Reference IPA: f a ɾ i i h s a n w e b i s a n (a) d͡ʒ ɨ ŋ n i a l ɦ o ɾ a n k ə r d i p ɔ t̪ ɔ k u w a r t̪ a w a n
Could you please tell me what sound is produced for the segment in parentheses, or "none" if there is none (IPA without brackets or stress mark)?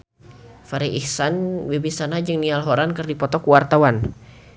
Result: a